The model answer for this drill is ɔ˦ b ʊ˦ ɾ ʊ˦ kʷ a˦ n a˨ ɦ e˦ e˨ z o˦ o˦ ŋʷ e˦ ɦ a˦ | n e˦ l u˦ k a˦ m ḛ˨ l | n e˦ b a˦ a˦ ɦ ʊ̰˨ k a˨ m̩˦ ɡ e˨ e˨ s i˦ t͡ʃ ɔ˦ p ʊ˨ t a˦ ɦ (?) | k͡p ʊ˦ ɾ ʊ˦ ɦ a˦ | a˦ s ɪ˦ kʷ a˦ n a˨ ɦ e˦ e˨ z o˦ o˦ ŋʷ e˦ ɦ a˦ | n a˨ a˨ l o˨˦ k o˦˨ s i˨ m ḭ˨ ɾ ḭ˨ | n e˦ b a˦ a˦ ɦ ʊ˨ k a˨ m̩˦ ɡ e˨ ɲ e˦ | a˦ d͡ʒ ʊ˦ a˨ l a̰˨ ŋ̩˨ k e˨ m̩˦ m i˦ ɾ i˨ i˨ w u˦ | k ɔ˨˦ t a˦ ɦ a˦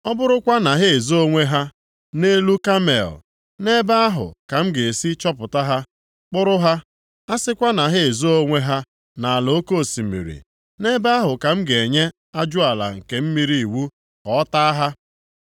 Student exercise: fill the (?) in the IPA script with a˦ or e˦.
a˦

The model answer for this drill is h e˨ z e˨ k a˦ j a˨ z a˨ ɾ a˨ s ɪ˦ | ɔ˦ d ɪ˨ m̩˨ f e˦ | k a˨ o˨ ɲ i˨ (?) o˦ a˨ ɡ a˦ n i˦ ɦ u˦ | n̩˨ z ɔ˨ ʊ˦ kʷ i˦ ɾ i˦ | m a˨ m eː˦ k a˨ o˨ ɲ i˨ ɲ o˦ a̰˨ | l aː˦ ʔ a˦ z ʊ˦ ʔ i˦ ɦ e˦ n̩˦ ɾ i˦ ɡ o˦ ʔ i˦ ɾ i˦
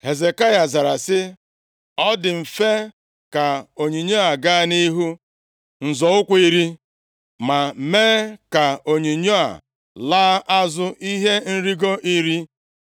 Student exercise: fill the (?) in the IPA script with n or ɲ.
ɲ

